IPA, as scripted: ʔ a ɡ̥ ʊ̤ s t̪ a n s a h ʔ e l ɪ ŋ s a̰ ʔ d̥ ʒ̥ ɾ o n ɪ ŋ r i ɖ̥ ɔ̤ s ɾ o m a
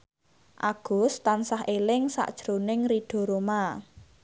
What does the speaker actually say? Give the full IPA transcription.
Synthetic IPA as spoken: ʔ a ɡ̥ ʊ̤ s t̪ a n s a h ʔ e l ɪ ŋ s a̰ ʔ d̥ ʒ̥ ɾ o n ɪ ŋ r i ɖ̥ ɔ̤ ɾ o m a